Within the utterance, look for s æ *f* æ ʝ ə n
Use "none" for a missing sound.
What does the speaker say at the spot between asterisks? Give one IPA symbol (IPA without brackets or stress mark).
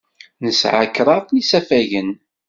f